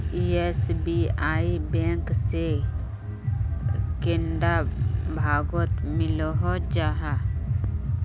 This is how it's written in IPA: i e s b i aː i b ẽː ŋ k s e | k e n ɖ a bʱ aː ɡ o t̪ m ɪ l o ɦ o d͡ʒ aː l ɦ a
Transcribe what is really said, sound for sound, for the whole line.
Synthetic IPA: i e s b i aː i b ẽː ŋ k s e | k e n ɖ a bʱ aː ɡ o t̪ m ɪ l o ɦ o d͡ʒ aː ɦ a